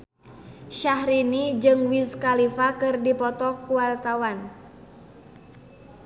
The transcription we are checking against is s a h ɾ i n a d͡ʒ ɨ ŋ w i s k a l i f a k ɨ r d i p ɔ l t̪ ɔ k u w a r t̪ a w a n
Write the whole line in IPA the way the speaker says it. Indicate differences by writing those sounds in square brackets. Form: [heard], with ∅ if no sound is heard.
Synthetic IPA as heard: [ʃ] a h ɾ i n [i] d͡ʒ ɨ ŋ w i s k a l i f a k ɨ r d i p ɔ [∅] t̪ ɔ k u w a r t̪ a w a n